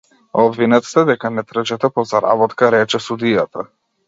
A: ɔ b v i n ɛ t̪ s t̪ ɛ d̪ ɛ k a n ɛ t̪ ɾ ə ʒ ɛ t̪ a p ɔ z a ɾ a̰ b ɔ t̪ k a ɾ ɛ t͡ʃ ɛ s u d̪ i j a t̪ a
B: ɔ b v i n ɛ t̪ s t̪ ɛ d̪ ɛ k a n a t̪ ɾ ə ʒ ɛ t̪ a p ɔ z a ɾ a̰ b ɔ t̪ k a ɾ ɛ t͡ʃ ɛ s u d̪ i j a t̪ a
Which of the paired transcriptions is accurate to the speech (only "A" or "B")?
A